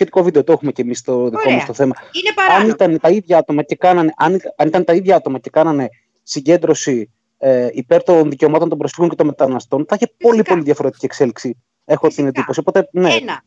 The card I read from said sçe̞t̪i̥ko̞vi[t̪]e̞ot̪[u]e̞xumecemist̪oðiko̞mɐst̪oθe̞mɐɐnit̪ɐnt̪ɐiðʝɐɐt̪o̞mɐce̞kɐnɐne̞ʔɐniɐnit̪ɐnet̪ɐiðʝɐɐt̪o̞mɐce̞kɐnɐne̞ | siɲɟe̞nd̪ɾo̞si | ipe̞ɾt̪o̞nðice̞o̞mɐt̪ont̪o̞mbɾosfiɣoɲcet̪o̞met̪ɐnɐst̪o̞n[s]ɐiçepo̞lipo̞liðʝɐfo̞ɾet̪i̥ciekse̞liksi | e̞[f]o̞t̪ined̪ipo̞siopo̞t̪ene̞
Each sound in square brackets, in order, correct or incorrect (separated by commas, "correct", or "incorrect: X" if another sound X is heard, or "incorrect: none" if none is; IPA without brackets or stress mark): incorrect: d̪, incorrect: o, incorrect: θ, incorrect: x